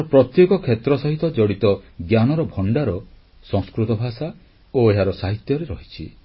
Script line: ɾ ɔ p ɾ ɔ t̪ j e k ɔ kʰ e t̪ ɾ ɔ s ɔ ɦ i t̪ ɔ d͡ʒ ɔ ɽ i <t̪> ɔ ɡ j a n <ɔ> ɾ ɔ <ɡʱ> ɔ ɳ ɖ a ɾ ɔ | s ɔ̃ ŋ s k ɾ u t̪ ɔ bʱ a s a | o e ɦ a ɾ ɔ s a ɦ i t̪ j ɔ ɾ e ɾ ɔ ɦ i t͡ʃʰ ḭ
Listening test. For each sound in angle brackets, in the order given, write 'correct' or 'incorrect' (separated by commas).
correct, correct, incorrect